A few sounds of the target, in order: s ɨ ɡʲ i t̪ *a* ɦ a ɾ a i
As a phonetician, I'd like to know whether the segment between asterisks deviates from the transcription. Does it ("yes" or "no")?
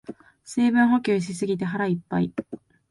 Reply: yes